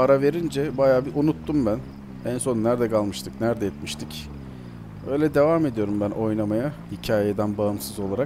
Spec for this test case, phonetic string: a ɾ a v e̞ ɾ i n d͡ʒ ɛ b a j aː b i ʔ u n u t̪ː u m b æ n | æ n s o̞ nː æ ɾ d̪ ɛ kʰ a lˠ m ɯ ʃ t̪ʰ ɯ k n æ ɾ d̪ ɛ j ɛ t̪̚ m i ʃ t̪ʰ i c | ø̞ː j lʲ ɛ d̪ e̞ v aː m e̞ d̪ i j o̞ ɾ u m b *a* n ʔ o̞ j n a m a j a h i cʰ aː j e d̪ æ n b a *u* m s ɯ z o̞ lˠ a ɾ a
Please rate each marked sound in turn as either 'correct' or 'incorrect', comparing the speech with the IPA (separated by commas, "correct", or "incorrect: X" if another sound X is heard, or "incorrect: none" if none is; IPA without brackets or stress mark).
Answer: incorrect: æ, incorrect: ɯ